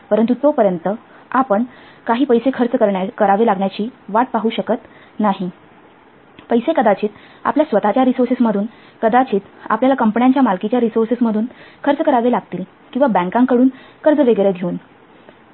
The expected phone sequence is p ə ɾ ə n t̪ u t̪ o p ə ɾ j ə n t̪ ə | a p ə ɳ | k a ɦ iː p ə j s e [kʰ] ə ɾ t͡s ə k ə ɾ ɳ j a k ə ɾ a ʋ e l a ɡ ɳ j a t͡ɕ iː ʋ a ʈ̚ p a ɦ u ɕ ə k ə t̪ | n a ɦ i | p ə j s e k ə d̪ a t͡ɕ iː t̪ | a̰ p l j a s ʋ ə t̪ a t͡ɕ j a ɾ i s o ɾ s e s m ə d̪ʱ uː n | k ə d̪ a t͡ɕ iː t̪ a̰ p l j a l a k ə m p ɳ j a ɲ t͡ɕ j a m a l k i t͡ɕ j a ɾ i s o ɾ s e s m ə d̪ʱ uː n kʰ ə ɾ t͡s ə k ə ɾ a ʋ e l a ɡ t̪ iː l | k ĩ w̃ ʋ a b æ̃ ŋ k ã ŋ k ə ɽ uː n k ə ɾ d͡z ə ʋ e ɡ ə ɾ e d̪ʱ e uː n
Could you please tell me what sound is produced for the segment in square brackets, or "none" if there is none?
kʰ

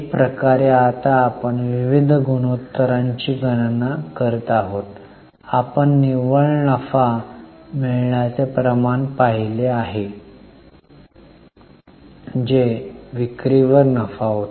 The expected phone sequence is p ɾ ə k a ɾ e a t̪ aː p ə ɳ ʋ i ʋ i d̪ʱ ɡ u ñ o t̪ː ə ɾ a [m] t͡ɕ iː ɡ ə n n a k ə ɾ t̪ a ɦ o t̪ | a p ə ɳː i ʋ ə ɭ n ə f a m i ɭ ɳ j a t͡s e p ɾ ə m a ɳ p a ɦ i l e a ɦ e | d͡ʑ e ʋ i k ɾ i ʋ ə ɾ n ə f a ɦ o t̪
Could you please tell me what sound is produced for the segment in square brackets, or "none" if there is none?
ɲ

